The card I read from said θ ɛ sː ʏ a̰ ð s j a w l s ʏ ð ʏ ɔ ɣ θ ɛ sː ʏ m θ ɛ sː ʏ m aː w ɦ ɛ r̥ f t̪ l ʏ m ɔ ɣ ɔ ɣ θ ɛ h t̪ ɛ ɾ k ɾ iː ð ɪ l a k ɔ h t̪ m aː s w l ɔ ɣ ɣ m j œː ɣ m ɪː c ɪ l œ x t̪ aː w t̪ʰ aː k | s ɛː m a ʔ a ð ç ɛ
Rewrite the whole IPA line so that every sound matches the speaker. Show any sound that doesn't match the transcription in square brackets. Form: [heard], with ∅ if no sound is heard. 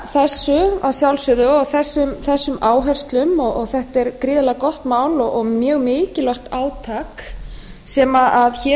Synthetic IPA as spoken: θ ɛ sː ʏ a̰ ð s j a w l s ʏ ð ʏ ɔ ɣ θ ɛ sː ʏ m θ ɛ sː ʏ m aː w ɦ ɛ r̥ [s] t̪ l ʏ m ɔ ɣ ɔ ɣ θ ɛ h t̪ ɛ ɾ k ɾ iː ð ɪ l a k ɔ h t̪ m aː [∅] w l ɔ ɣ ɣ m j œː ɣ m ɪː c ɪ l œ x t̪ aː w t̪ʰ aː k | s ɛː m a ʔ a ð ç ɛ

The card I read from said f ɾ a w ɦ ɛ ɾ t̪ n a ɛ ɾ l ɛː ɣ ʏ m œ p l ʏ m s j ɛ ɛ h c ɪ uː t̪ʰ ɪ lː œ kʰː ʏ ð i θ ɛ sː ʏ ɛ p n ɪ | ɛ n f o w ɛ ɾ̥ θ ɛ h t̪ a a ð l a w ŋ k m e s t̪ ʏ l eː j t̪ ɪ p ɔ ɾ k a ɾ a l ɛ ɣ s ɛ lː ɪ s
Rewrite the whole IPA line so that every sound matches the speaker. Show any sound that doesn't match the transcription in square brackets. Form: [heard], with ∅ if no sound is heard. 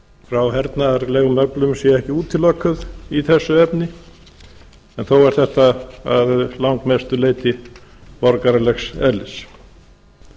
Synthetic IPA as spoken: f ɾ a w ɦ ɛ ɾ t̪ n a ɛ ɾ l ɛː ɣ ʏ m œ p l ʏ m s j ɛ ɛ h c ɪ uː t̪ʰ ɪ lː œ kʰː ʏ ð i θ ɛ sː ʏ ɛ p n ɪ | ɛ n [θ] o w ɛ ɾ̥ θ ɛ h t̪ a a ð l a w ŋ k m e s t̪ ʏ l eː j t̪ ɪ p ɔ ɾ k a ɾ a l ɛ [x] s ɛ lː ɪ s

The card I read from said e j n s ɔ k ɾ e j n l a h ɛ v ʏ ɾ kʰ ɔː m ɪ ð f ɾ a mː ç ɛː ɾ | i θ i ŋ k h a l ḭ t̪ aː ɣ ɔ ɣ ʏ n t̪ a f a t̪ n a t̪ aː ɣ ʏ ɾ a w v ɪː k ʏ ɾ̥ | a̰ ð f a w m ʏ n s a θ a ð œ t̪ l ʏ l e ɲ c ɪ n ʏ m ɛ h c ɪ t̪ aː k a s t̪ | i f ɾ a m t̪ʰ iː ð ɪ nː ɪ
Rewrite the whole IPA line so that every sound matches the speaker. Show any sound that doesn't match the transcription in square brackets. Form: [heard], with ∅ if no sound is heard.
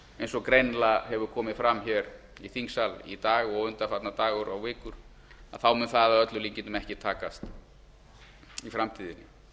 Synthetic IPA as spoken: e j n s ɔ k ɾ e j n l a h ɛ v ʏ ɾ kʰ ɔː m ɪ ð f ɾ a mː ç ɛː ɾ | i θ i ŋ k [s] a l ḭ t̪ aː ɣ ɔ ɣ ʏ n t̪ a f a t̪ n a t̪ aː ɣ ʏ ɾ a w v ɪː k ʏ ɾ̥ | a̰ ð [θ] a w m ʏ n [θ] a [ð] a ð œ t̪ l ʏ l [i] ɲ c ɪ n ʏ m ɛ h c ɪ [t̪ʰ] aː k a s t̪ | i f ɾ a m t̪ʰ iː ð ɪ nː ɪ

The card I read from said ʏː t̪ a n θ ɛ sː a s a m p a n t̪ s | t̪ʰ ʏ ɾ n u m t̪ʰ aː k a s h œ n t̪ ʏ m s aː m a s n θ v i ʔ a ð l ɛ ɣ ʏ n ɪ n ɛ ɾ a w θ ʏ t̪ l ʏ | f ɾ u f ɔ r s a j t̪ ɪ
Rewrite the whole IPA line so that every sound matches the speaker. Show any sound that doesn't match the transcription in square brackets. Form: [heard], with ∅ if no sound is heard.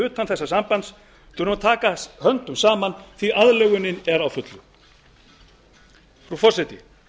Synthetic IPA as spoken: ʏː t̪ a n θ ɛ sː a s a m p a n t̪ s | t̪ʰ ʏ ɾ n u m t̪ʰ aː k a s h œ n t̪ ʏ m s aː m a [∅] n θ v i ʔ a ð l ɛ ɣ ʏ n ɪ n ɛ ɾ a w [f] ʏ t̪ l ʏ | f ɾ u f ɔ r s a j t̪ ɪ

